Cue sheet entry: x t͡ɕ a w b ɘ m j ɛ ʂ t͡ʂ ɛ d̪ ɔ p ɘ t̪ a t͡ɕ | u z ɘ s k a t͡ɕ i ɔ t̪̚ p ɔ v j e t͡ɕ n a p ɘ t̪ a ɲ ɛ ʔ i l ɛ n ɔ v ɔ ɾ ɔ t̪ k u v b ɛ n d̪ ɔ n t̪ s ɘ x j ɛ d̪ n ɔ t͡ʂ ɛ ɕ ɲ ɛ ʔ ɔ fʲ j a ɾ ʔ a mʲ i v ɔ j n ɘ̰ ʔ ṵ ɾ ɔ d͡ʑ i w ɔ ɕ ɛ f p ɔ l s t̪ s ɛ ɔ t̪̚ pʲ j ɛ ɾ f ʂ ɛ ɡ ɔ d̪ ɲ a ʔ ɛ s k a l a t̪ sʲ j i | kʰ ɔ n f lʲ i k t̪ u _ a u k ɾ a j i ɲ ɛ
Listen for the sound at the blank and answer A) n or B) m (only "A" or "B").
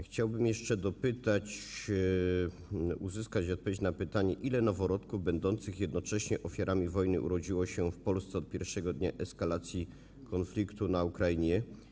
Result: A